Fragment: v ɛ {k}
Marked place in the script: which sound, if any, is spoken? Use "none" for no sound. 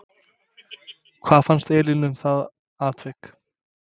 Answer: k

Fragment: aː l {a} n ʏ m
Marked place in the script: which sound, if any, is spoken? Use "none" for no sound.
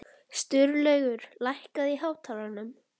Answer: a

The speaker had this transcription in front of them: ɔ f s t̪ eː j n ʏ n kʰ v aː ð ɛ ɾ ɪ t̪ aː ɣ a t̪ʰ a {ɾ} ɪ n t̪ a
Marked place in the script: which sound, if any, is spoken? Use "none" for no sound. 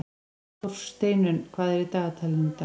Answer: l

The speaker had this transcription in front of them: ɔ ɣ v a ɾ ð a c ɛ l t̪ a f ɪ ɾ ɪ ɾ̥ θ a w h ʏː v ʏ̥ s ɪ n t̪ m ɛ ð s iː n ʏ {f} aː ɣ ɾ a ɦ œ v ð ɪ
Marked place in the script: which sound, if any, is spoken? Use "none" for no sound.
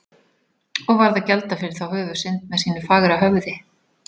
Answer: f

